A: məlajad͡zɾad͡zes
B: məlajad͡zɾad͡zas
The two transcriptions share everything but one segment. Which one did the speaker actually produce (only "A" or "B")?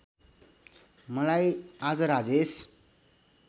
A